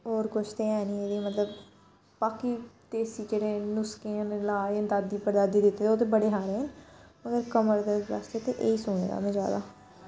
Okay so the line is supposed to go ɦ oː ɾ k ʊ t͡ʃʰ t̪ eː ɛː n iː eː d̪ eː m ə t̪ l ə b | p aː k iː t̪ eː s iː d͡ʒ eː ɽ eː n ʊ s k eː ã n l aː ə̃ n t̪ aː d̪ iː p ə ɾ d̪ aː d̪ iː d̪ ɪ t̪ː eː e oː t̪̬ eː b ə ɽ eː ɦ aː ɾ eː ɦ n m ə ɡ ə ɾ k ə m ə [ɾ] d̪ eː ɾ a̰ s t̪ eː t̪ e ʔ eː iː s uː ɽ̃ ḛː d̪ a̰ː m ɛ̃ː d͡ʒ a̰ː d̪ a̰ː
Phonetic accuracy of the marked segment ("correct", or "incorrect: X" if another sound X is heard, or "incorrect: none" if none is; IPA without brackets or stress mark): correct